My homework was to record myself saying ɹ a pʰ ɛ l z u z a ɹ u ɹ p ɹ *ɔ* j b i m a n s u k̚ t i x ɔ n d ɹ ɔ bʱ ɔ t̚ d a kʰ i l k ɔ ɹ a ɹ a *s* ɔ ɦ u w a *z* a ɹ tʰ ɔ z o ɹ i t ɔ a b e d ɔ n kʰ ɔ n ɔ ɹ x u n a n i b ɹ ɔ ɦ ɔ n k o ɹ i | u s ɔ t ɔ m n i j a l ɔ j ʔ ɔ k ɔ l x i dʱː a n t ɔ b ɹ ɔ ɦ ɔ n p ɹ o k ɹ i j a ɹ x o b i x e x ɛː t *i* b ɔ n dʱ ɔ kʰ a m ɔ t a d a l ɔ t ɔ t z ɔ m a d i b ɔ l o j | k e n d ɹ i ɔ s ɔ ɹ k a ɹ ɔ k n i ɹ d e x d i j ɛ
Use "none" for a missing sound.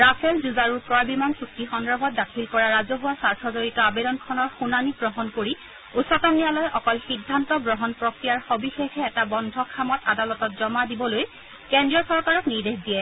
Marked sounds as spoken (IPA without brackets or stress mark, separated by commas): ɔ, z, s, a